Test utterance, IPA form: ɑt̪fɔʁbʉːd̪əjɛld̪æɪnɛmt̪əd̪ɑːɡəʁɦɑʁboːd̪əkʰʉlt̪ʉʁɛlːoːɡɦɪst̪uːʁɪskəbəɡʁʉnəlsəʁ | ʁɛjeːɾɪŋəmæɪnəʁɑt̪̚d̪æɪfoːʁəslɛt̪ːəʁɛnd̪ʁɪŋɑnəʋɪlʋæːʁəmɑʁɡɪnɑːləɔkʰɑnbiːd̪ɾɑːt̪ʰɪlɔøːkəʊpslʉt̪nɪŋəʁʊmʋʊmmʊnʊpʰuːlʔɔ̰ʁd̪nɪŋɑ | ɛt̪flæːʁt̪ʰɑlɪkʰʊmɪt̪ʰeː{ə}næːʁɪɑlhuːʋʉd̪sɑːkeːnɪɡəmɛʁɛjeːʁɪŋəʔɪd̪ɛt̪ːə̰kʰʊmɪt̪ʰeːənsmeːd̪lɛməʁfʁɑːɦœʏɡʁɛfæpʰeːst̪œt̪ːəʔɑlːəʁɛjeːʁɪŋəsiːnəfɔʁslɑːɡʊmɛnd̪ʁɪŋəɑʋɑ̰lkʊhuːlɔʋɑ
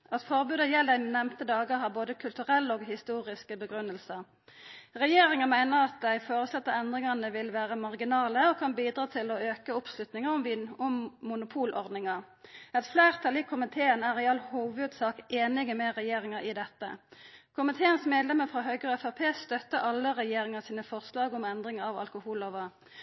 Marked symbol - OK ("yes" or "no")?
yes